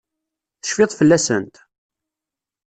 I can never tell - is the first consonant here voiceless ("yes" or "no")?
yes